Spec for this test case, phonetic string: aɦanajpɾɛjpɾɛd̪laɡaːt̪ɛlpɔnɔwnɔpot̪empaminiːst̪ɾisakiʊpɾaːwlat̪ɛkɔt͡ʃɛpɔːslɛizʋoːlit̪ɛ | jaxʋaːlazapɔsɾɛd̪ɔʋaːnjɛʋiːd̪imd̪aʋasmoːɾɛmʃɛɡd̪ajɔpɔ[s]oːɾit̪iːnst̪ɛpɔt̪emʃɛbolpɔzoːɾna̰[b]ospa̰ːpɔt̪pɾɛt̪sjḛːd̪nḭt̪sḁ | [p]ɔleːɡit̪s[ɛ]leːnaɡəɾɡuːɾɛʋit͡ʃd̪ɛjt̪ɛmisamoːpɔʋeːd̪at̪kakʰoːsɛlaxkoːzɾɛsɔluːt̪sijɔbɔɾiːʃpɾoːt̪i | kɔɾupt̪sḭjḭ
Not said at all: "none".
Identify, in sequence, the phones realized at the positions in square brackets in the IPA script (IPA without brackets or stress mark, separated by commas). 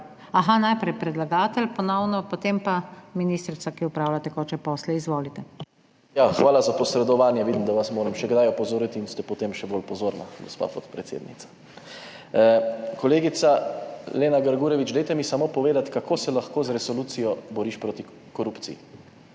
z, ɡ, k, a